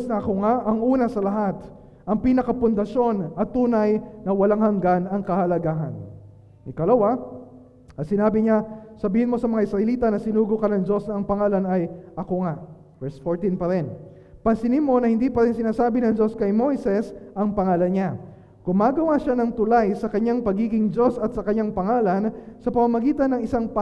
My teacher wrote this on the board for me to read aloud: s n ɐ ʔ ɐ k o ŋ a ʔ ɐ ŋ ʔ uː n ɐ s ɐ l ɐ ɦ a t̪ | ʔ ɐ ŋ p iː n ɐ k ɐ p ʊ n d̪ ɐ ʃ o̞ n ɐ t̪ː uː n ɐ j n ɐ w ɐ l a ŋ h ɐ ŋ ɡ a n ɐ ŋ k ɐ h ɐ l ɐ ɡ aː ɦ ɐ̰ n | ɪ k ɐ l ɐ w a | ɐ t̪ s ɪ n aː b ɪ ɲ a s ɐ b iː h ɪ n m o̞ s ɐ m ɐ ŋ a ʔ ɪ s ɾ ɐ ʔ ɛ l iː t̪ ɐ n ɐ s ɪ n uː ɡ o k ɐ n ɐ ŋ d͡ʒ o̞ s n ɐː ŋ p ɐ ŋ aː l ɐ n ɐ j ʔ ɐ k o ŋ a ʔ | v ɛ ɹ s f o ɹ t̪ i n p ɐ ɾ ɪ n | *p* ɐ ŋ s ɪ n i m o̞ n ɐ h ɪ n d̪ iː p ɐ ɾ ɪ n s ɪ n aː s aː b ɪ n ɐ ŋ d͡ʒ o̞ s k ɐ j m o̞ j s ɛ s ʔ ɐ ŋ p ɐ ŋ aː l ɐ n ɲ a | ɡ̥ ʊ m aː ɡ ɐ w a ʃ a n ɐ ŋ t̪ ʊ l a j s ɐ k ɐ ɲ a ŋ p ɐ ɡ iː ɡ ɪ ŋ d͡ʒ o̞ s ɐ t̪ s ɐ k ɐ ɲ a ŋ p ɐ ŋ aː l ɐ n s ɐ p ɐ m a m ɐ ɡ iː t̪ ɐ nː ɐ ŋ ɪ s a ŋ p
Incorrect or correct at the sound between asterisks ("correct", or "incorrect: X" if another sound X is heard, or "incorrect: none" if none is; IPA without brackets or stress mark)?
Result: correct